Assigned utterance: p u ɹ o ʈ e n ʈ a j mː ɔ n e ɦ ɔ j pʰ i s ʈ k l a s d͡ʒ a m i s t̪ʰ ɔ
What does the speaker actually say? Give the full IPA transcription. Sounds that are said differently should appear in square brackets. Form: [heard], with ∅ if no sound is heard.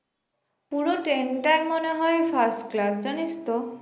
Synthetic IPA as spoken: p u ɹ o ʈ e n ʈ a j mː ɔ n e ɦ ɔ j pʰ [a] s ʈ k l a s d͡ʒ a [n] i s [t̪] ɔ